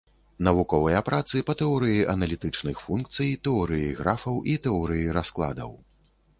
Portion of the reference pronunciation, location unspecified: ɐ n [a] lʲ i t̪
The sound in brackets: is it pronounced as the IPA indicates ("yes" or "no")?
no